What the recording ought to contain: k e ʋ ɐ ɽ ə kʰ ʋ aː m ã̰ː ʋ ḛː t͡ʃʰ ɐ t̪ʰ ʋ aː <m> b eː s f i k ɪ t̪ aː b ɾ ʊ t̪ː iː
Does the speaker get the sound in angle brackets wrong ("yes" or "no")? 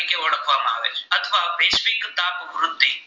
yes